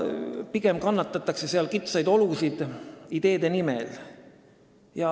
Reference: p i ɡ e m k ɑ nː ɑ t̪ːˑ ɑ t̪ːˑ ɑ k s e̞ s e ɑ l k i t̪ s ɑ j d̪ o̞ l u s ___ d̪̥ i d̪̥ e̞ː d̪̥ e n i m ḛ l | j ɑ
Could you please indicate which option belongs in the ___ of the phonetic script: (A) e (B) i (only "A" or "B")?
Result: B